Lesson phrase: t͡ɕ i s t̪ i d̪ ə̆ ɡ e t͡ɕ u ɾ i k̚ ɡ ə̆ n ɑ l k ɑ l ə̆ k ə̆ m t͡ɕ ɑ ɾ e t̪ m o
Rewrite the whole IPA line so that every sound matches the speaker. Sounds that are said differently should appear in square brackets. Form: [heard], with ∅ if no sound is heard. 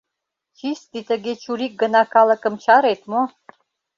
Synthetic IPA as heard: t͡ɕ i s t̪ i [t̪] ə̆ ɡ e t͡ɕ u ɾ i k̚ ɡ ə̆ n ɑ [∅] k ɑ l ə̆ k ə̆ m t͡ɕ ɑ ɾ e t̪ m o